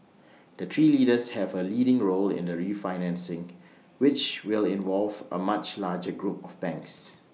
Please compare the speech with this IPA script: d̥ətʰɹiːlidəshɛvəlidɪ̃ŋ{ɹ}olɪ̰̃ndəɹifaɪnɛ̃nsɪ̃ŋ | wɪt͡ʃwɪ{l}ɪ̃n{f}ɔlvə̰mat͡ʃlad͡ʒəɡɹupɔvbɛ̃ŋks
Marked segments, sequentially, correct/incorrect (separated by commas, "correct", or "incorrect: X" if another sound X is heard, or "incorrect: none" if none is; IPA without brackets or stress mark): correct, correct, incorrect: v